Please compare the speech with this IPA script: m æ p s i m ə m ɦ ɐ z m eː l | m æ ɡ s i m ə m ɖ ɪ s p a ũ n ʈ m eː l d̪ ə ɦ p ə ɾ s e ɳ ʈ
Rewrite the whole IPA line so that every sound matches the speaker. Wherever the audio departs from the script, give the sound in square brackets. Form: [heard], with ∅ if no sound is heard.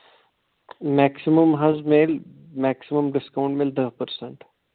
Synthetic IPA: m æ [k] s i m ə m ɦ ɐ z m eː l | m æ [k] s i m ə m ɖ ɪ s [k] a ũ [ɳ] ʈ m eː l d̪ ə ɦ p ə ɾ s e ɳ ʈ